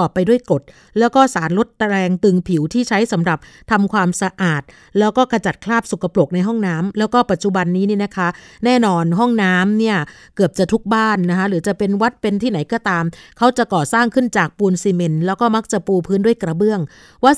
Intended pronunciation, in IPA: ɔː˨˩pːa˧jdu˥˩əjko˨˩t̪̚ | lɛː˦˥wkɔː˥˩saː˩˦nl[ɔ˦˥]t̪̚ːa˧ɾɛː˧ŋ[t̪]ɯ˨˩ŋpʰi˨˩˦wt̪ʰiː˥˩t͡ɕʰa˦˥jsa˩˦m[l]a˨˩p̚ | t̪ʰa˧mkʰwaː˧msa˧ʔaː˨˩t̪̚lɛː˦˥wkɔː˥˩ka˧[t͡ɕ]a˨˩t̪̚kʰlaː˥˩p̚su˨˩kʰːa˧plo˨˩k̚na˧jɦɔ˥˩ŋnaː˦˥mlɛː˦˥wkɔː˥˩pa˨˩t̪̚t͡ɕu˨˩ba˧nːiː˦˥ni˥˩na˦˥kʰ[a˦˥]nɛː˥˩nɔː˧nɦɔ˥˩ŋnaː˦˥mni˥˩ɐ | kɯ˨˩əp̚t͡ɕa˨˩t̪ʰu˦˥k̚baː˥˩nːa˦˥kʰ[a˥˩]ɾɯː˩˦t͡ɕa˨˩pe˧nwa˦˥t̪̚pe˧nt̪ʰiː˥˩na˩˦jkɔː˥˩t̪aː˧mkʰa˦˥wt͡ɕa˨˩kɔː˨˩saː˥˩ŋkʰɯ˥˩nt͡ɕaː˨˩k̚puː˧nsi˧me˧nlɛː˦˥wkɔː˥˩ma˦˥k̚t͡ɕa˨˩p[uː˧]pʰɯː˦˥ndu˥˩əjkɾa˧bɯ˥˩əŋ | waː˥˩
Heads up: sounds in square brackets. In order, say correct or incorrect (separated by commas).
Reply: incorrect, correct, incorrect, correct, correct, incorrect, correct